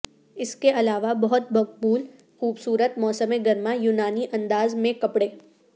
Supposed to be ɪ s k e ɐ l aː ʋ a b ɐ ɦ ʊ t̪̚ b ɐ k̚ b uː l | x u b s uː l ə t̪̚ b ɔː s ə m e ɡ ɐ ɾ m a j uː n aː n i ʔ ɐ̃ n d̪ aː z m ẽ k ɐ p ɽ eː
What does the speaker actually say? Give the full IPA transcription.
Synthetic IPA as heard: ɪ s k e ɐ l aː ʋ a b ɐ ɦ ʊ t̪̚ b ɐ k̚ b uː l | x uː b s uː ɾ ə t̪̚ m ɔː s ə m e ɡ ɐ ɾ m a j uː n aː n i ʔ ɐ̃ n d̪ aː z m ẽ k ɐ p ɽ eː